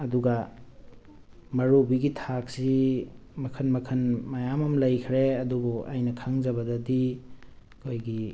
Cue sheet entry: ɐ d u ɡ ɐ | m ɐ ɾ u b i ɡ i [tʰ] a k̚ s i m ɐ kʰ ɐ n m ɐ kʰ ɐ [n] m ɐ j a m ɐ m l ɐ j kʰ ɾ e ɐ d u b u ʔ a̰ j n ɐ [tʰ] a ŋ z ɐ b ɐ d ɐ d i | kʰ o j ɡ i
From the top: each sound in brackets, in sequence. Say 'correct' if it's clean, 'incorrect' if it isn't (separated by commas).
correct, correct, incorrect